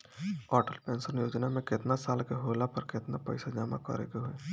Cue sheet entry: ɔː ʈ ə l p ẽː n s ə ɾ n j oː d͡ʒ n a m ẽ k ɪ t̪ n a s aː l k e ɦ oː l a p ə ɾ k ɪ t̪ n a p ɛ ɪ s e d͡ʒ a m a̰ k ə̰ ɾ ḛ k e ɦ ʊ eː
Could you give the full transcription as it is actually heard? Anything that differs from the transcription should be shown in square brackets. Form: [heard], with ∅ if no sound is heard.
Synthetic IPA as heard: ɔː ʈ ə l p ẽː n s ə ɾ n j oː d͡ʒ n a m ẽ k ɪ t̪ n a s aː l k e ɦ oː l a p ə ɾ k ɪ t̪ n a p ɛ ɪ s [a] d͡ʒ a m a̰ k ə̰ ɾ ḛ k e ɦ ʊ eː